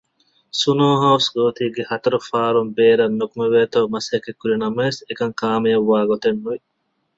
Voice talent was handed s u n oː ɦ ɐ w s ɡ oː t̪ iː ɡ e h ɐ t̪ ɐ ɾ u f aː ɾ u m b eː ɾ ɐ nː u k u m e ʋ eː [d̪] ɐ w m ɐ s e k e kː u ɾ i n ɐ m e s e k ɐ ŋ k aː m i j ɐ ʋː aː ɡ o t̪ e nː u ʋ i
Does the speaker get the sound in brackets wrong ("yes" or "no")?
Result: yes